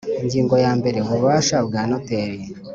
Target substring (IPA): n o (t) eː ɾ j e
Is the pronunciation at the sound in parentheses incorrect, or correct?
correct